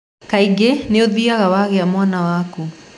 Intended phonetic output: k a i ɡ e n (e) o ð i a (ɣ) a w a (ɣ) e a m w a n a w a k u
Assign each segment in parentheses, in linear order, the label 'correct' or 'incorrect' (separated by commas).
correct, correct, correct